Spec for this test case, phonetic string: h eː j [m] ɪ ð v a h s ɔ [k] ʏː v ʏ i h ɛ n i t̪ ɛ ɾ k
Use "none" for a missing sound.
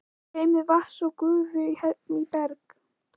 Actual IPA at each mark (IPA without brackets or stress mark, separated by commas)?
m, k